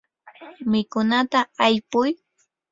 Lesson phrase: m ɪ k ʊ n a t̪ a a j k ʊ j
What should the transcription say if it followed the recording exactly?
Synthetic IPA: m ɪ k ʊ n a t̪ a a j p ʊ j